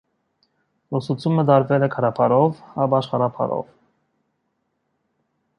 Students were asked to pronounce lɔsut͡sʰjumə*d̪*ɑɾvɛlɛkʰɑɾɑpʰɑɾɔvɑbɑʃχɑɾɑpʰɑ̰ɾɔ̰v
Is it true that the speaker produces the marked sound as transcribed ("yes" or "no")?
yes